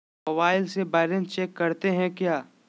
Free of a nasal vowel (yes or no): no